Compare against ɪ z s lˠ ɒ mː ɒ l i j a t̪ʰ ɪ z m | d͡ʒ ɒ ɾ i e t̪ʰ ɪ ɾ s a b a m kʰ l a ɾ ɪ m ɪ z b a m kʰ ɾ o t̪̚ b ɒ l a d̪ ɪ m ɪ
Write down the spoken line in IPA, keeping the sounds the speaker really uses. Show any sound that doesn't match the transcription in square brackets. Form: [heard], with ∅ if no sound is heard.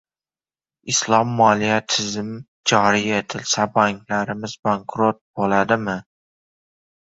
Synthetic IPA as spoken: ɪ [∅] s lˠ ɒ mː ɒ l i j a t̪ʰ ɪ z m | d͡ʒ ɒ ɾ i e t̪ʰ ɪ [l] s a b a [ŋ] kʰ l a ɾ ɪ m ɪ z b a [ŋ] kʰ ɾ o t̪̚ b [o] l a d̪ ɪ m ɪ